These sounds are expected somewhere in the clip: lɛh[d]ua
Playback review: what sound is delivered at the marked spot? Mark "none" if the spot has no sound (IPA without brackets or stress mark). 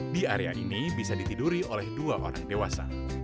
d